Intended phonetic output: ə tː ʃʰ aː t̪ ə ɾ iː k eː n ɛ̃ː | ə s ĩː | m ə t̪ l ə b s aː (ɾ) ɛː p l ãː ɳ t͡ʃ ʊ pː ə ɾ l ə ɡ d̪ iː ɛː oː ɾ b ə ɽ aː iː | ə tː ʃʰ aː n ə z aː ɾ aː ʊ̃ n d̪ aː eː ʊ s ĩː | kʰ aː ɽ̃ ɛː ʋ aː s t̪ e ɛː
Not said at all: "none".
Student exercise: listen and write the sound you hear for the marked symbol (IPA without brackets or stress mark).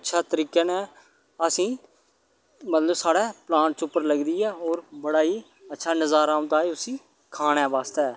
ɽ